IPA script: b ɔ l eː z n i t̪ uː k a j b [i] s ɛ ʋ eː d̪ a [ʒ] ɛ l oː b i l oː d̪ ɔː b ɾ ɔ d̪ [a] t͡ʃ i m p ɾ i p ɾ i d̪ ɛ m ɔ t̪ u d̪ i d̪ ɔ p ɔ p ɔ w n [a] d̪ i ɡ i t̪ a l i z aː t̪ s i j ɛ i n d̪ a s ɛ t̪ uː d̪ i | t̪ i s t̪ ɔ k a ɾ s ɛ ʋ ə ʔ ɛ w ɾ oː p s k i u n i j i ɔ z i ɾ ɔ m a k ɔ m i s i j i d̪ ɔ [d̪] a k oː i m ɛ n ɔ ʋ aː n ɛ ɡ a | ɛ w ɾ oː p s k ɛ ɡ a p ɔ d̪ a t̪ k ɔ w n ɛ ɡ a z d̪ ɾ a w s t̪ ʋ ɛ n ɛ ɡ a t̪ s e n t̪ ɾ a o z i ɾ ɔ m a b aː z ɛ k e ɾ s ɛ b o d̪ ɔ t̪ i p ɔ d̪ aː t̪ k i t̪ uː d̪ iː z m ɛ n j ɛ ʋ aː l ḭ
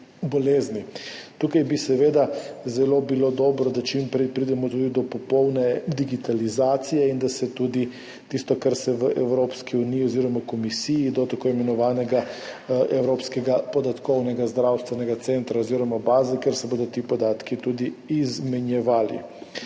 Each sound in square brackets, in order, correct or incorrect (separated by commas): correct, incorrect, correct, incorrect, incorrect